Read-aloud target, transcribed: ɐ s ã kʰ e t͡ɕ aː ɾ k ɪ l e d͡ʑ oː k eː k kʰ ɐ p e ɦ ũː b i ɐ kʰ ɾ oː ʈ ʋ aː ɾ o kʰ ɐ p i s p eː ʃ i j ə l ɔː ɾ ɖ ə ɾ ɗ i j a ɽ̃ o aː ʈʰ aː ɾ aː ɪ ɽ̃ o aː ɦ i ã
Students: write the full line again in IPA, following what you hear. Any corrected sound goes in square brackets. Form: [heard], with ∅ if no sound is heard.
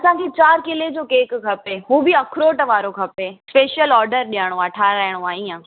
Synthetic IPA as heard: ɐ s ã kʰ e t͡ɕ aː ɾ k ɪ l e d͡ʑ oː k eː k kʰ ɐ p e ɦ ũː b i ɐ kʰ ɾ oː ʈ ʋ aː ɾ o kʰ ɐ p [e] s p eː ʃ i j ə l ɔː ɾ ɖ ə ɾ ɗ i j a ɽ̃ o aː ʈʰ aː ɾ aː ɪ ɽ̃ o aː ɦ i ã